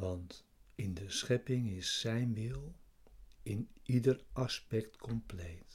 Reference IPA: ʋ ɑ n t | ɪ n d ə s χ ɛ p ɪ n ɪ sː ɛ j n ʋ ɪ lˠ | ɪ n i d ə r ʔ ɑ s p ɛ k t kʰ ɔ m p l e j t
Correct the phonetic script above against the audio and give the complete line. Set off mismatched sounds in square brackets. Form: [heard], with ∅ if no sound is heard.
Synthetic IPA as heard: ʋ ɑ n t | ɪ n d ə s χ ɛ p ɪ [ŋ] ɪ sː ɛ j n ʋ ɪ lˠ | ɪ n i d ə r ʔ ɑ s p ɛ k t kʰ ɔ m p l e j t